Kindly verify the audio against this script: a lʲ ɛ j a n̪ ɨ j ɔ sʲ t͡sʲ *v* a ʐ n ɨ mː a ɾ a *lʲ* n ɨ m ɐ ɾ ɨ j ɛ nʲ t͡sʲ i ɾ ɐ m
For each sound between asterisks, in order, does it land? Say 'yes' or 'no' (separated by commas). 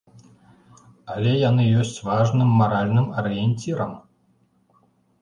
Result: yes, yes